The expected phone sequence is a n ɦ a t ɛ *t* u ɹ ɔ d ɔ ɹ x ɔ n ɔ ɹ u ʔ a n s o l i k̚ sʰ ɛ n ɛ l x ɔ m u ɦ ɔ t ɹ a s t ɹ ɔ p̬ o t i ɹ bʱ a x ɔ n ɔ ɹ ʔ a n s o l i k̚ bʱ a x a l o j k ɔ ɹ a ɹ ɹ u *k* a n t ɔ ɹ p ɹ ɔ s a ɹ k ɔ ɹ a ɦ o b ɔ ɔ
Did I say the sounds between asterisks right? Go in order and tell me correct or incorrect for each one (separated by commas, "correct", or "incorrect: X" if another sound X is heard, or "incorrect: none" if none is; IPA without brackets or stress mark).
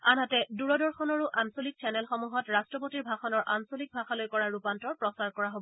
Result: incorrect: d, incorrect: p